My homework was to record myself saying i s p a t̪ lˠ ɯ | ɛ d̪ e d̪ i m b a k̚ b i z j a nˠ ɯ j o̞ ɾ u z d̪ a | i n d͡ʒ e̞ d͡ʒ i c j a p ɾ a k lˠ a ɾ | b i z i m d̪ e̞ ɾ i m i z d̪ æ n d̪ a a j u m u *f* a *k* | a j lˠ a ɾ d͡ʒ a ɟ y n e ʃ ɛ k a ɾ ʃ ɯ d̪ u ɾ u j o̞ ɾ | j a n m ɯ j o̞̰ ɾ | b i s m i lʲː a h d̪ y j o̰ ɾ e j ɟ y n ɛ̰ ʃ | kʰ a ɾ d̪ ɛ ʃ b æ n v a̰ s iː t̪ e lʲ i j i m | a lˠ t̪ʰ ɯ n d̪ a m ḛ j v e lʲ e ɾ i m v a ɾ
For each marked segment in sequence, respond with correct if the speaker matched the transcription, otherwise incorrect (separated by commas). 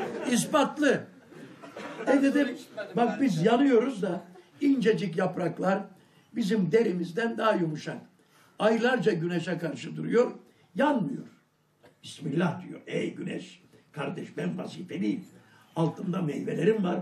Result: incorrect, correct